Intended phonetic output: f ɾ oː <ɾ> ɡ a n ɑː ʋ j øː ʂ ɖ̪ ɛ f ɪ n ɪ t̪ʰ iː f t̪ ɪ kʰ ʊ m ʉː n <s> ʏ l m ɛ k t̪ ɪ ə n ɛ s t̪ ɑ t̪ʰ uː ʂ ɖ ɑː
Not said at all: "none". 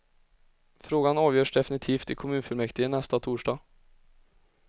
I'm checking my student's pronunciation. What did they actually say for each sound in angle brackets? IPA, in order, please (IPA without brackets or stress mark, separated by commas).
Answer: none, f